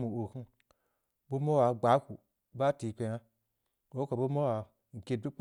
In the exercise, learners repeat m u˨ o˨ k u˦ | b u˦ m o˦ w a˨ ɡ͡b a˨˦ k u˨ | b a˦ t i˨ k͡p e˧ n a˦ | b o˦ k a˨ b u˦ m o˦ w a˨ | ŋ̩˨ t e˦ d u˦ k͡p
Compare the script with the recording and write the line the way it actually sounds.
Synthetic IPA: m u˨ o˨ k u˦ | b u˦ m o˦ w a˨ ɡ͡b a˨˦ k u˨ | b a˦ t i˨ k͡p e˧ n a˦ | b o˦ k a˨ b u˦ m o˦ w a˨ | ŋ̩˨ k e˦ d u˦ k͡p